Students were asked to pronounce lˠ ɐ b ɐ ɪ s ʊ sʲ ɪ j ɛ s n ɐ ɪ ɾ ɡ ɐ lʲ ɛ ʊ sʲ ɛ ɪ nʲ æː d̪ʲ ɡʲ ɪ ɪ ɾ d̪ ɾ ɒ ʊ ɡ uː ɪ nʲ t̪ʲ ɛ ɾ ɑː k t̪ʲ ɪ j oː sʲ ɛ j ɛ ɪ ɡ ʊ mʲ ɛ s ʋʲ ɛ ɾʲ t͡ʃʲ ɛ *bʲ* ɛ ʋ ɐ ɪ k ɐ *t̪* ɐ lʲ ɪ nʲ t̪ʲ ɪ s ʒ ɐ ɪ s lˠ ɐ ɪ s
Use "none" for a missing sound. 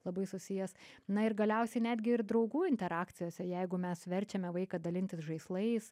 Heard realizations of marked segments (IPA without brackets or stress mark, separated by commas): mʲ, d̪